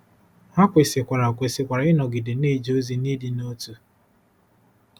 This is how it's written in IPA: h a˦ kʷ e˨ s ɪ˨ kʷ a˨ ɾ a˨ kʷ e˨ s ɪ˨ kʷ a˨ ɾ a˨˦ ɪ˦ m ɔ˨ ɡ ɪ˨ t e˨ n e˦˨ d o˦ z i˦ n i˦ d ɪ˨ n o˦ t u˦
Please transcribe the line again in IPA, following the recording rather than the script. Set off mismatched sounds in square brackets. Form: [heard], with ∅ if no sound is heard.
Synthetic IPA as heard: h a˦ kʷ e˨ s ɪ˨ kʷ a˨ ɾ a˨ kʷ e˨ s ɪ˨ kʷ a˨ ɾ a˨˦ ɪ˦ [n] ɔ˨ ɡ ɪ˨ [d] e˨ n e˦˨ [d͡ʒ] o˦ z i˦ n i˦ d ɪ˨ n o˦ t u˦